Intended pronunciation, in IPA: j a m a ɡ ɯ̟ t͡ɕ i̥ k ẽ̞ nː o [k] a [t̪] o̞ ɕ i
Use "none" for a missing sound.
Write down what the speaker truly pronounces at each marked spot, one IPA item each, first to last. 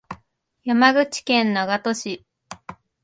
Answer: ɡ, t̪

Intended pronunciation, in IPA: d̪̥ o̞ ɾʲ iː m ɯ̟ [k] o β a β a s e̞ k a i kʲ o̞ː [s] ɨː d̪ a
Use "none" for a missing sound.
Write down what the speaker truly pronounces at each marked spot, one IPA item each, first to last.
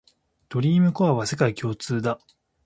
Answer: k, t͡s

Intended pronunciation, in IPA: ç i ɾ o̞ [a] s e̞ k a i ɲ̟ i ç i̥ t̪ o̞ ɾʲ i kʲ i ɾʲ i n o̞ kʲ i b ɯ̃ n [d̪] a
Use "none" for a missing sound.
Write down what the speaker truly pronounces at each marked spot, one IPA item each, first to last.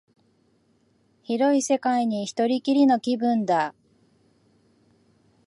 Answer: i, d̪

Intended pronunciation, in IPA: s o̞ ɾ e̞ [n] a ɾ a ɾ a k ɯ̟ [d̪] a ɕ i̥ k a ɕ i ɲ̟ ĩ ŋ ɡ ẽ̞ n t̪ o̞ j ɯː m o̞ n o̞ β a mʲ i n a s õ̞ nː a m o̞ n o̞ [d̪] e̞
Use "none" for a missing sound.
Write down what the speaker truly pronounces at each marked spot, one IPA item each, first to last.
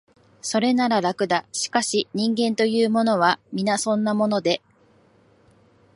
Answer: n, d̪, d̪

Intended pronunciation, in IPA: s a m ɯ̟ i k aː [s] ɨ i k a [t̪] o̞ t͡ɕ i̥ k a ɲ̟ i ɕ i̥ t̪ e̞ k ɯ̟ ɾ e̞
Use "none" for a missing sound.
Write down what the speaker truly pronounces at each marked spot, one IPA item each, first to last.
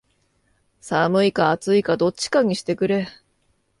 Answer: t͡s, d̪

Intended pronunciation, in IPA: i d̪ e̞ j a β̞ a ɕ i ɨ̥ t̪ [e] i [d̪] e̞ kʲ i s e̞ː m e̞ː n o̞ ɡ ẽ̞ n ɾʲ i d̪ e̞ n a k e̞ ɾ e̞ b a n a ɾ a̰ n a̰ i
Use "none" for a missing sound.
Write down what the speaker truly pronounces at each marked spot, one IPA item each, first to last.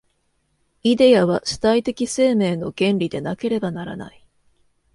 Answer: a, t̪

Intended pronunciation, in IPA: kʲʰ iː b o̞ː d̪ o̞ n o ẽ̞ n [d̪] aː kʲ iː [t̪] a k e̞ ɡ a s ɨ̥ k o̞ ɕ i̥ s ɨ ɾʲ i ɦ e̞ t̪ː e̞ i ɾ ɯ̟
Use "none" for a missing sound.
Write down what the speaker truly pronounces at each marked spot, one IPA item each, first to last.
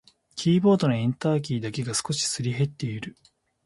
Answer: t̪, d̪

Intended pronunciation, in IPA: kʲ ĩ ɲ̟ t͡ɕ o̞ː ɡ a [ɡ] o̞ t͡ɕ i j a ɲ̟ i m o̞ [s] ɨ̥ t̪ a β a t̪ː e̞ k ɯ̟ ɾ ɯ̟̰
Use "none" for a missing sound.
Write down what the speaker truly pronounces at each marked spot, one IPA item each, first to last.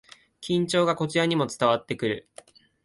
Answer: k, t͡s

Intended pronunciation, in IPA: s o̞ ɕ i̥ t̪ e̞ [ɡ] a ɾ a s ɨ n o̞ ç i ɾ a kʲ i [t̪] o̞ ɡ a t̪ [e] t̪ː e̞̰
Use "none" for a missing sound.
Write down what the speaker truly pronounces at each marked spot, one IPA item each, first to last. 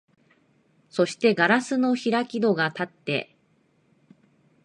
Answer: ɡ, d̪, a

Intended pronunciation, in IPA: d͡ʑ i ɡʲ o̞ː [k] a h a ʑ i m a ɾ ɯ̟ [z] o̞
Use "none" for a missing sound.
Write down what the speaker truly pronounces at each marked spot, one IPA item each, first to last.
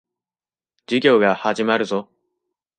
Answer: ɡ, z

